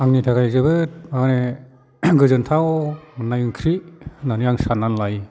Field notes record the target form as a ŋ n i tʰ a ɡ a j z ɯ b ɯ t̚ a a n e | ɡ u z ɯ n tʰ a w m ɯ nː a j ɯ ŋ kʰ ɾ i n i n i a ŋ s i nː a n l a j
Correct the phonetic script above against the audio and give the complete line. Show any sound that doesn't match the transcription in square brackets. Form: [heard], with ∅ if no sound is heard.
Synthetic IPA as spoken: a ŋ n i tʰ a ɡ a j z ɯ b ɯ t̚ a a n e | ɡ [ɯ] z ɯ n tʰ a w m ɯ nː a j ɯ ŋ kʰ ɾ i n [a] n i a ŋ s [a] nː a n l a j